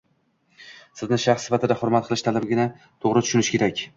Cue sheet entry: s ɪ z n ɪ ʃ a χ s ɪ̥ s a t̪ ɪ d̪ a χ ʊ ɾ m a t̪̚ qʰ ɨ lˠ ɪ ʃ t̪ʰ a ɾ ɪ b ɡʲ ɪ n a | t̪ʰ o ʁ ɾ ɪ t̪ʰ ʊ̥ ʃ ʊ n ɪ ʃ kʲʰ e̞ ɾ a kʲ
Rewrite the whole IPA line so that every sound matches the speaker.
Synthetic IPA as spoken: s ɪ z n ɪ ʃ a χ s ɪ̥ f a t̪ ɪ d̪ a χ ʊ ɾ m a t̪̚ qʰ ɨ lˠ ɪ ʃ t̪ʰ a l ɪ b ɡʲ ɪ n a | t̪ʰ o ʁ ɾ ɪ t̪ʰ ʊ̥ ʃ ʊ n ɪ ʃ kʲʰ e̞ ɾ a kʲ

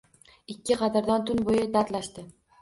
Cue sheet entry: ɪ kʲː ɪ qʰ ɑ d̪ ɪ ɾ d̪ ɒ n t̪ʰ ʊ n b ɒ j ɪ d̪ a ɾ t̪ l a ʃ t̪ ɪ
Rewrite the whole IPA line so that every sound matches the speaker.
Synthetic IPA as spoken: ɪ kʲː ɪ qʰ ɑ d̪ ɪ ɾ d̪ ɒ n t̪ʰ ʊ n b o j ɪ d̪ a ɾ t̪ l a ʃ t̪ ɪ

